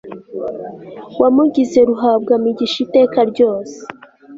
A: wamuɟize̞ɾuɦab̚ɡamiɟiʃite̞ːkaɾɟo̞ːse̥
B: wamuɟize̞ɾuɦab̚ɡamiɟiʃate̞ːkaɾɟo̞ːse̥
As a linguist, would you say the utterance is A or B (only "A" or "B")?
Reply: A